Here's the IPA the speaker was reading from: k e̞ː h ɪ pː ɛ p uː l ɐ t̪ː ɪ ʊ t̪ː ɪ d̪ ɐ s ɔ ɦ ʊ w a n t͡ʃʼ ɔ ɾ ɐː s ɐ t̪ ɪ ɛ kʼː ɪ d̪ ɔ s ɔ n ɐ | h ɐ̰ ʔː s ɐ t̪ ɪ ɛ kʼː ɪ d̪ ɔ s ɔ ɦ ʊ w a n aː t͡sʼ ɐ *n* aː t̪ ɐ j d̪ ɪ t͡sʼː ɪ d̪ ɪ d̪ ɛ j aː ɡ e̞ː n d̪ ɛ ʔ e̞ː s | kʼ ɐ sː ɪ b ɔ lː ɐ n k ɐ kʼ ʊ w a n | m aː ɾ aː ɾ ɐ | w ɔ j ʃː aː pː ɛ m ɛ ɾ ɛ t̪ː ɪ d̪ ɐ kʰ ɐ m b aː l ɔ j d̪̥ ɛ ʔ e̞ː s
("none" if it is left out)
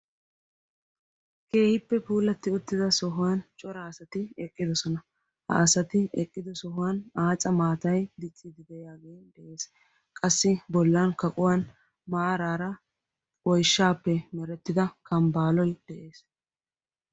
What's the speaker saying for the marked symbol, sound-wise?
m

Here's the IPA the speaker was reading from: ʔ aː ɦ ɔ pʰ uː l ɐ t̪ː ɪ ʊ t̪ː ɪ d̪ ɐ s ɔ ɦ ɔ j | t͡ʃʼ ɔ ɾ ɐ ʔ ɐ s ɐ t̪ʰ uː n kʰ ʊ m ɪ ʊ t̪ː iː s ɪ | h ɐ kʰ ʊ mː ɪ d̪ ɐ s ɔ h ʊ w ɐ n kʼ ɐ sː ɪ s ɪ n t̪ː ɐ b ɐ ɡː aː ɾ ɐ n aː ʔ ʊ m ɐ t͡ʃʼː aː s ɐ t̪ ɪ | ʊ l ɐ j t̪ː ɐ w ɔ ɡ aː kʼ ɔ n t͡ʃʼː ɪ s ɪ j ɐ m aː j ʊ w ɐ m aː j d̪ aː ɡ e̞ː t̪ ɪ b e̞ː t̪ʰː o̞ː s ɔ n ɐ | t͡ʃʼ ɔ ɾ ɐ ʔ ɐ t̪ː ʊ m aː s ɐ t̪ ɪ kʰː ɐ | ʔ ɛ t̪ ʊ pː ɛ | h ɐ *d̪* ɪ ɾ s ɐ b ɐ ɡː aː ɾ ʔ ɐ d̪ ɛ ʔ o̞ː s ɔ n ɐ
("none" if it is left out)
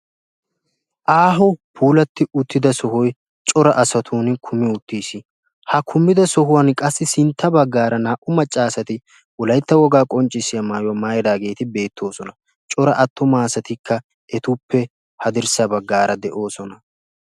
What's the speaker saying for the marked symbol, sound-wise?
d̪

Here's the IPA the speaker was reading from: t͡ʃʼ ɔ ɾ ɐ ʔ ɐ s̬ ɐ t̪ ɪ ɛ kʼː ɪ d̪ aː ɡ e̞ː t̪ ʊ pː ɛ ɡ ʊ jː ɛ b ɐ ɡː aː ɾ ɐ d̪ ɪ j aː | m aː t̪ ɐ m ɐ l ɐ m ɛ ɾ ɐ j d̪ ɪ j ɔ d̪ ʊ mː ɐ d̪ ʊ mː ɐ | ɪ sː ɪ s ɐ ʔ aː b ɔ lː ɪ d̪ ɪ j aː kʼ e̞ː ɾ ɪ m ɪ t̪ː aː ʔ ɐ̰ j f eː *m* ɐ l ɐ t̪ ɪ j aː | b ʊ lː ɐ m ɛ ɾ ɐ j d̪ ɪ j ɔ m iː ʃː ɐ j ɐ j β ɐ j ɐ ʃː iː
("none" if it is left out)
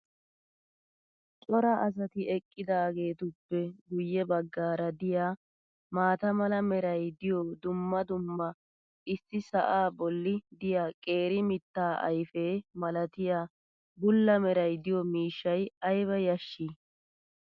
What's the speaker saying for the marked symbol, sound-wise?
m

